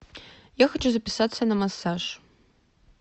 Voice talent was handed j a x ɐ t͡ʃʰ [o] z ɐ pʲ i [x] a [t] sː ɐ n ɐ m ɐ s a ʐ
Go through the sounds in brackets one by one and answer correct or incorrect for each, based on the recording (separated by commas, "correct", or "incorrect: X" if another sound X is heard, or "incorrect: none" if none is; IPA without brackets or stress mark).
incorrect: u, incorrect: s, correct